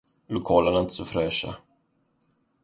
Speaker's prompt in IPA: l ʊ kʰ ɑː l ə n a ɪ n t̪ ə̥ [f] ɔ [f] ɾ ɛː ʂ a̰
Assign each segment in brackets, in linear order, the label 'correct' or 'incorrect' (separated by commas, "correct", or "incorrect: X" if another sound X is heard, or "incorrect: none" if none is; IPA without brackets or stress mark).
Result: incorrect: s, correct